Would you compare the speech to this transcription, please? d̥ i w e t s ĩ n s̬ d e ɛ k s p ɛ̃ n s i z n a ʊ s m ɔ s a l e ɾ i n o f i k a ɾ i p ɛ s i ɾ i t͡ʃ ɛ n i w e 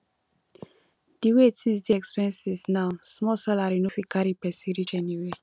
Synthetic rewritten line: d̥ i w e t s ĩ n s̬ d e ɛ k s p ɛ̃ n s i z n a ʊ s m ɔ s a l a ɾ i n o f i k a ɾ i p ɛ s i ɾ i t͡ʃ ɛ n i w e